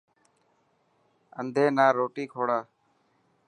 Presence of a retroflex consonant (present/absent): present